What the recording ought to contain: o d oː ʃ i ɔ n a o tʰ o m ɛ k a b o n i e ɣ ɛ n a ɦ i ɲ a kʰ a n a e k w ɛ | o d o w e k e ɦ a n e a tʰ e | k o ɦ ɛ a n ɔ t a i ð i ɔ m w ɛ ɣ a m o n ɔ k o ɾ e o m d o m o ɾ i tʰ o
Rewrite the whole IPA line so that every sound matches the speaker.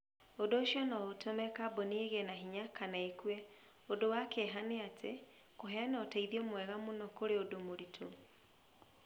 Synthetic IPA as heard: o d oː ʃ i ɔ n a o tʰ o m ɛ k a b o n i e ɣ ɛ n a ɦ i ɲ a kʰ a n a e k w ɛ | o d o w a k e ɦ a n e a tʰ e | k o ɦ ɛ a n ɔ t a i ð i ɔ m w ɛ ɣ a m o n ɔ k o ɾ e o d o m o ɾ i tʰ o